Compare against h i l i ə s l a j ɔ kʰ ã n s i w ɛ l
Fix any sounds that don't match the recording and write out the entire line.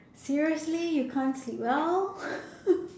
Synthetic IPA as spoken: s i ɹ i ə s l i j u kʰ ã n s i w ɛ l